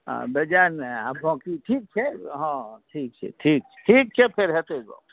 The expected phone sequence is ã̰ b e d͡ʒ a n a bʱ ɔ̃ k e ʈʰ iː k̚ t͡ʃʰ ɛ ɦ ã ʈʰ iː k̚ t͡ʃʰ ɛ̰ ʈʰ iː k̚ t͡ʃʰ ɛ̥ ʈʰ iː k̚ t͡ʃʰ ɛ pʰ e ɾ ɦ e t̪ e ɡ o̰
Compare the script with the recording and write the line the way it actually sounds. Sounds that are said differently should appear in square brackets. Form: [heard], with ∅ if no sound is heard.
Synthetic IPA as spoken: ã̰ b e d͡ʒ a n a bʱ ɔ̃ k [i] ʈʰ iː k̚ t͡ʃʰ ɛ ɦ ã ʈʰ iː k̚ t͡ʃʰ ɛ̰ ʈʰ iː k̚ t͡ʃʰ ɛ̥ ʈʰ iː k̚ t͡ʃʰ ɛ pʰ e ɾ ɦ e t̪ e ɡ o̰